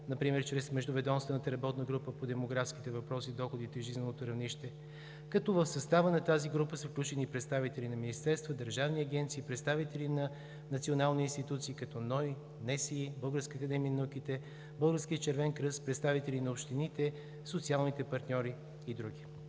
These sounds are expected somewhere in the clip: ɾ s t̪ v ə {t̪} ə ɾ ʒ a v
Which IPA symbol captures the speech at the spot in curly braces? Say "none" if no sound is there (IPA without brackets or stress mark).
d̪